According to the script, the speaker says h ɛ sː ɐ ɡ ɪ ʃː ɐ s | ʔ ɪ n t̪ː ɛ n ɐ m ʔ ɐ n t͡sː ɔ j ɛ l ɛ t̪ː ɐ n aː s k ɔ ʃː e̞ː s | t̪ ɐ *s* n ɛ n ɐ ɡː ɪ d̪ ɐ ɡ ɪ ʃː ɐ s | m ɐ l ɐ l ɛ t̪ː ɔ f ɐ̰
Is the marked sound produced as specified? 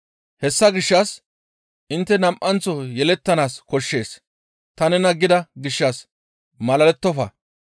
no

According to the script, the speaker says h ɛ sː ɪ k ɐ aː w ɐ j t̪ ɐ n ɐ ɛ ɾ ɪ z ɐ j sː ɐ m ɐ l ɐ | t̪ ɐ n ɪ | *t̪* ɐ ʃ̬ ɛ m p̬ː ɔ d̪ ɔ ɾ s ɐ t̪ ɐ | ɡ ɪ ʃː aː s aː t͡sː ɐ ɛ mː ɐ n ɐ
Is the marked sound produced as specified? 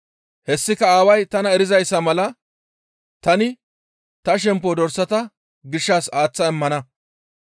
yes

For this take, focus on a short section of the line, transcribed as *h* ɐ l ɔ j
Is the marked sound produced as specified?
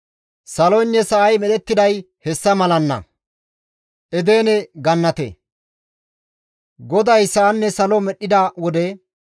no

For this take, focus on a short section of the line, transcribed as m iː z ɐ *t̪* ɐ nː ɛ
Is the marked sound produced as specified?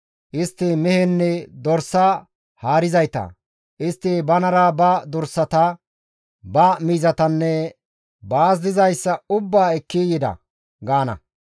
yes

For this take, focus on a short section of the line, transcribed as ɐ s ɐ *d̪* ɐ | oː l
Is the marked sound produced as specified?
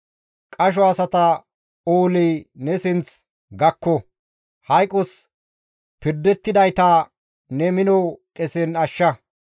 no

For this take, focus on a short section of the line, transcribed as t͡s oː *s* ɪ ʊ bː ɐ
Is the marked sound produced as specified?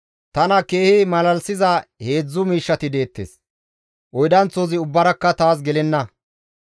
no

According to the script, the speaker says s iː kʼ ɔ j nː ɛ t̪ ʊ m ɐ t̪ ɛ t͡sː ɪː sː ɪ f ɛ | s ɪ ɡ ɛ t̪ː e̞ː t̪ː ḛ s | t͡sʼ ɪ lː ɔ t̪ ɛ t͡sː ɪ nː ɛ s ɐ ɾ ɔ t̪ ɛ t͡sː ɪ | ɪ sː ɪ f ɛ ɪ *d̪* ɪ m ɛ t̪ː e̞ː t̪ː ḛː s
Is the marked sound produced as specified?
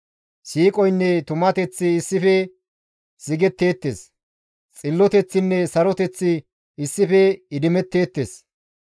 yes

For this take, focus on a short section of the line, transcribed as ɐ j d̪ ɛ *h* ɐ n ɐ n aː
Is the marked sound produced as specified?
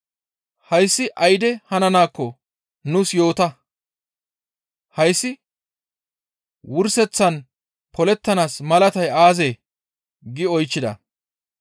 yes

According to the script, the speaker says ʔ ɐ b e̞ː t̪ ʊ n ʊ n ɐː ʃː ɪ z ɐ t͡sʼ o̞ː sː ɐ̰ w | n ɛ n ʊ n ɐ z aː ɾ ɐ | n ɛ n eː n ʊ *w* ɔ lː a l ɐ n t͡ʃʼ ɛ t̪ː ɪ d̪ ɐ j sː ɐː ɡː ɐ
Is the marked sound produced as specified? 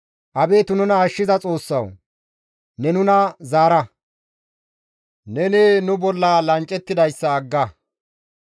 no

